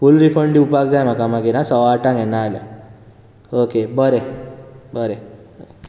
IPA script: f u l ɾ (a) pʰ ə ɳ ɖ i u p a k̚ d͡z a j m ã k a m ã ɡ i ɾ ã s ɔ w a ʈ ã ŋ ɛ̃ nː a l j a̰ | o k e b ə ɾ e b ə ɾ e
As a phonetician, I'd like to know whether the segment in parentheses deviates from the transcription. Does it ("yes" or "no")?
yes